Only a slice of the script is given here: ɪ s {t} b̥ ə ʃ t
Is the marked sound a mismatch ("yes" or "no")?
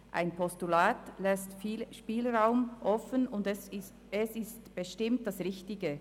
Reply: no